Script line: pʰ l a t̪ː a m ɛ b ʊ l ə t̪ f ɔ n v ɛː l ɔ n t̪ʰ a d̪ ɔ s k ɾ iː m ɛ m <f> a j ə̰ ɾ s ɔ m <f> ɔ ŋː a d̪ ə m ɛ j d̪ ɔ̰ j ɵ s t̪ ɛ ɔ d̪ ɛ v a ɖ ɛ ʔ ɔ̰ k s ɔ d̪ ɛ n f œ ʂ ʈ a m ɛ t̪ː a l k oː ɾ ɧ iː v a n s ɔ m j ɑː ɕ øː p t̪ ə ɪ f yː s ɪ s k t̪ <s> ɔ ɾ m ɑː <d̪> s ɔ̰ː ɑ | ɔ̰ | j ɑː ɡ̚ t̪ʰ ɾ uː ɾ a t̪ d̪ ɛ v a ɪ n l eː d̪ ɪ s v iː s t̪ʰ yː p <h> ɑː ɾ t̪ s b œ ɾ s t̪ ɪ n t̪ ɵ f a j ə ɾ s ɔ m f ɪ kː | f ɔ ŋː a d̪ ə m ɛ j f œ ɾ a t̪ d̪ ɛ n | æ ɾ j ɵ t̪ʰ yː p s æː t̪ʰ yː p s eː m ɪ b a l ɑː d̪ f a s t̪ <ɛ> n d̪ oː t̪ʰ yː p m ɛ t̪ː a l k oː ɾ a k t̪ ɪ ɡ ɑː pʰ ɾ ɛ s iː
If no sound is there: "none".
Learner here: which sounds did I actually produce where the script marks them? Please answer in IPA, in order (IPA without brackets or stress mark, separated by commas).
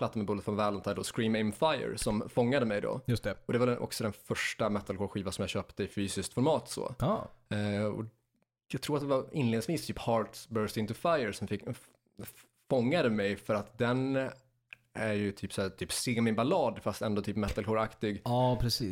f, f, f, t̪, h, ɛ